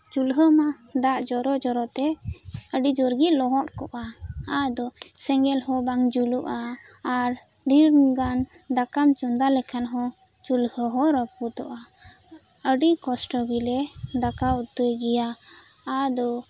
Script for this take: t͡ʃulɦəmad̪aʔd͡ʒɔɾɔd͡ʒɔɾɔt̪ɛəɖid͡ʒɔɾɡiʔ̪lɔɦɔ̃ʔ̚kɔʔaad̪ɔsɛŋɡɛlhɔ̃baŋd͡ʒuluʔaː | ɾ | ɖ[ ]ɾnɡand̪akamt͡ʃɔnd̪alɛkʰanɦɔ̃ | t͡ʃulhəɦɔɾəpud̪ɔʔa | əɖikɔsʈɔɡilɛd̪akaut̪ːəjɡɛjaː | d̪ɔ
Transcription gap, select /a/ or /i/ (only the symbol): i